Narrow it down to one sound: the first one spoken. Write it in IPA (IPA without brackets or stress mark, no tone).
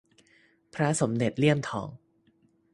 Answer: pʰ